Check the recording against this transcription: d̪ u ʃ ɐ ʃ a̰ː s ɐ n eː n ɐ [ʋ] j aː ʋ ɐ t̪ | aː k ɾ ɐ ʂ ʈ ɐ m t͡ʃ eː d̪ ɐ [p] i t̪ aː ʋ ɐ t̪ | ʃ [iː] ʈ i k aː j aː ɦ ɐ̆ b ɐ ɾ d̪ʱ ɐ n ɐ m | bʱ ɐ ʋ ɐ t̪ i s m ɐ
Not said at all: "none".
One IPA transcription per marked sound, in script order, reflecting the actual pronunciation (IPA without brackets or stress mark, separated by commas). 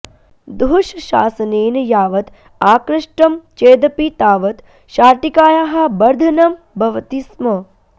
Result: none, p, aː